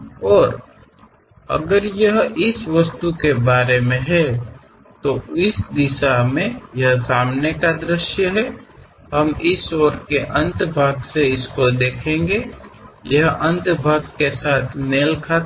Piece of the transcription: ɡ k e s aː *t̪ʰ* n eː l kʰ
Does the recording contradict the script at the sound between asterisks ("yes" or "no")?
no